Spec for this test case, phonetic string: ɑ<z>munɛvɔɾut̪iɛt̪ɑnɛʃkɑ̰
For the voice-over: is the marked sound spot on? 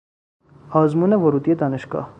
yes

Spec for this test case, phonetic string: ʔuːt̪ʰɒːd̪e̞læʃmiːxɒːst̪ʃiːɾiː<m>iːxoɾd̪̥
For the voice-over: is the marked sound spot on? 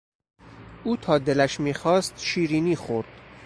no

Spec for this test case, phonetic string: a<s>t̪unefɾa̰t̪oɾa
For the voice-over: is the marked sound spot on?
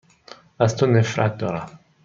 yes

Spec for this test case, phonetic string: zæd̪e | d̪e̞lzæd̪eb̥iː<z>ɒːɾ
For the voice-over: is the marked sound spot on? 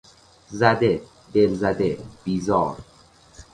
yes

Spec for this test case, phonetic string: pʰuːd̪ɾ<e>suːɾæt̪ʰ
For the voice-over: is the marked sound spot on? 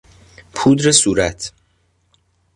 yes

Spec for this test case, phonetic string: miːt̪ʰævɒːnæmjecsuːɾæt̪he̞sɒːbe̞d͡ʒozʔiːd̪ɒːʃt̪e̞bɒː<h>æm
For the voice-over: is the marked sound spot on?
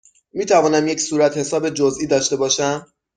no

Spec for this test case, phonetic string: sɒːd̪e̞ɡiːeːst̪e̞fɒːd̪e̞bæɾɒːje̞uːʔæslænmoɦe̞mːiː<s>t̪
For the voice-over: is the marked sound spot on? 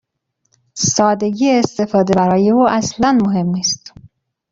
yes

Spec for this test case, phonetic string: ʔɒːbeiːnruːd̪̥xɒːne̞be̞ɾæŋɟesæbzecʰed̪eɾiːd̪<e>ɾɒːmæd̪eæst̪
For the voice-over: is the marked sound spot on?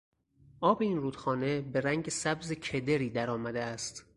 no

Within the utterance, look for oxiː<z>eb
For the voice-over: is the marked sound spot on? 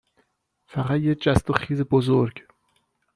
yes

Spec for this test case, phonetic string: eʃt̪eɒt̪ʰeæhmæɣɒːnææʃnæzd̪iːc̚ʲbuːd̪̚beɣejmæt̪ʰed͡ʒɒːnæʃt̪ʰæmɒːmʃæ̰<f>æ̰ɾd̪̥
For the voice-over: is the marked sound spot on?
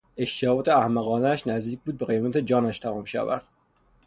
no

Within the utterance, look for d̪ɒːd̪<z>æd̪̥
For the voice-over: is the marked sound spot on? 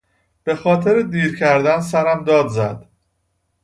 yes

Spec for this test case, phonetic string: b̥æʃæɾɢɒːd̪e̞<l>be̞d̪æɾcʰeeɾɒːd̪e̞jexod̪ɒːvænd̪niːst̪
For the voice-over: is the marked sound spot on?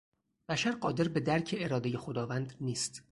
no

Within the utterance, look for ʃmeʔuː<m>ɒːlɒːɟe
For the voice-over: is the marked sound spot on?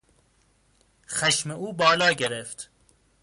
no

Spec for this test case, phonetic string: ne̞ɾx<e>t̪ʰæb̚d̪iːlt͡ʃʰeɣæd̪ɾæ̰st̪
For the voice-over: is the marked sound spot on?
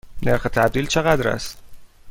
yes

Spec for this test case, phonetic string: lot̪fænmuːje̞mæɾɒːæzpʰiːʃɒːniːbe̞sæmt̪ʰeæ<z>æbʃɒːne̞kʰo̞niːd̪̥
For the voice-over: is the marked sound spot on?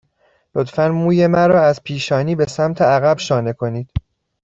no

